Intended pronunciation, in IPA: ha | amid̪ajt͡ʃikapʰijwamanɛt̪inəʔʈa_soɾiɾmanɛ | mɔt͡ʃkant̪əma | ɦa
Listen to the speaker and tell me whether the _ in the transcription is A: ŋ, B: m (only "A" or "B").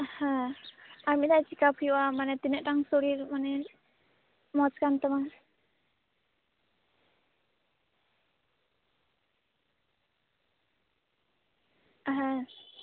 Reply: A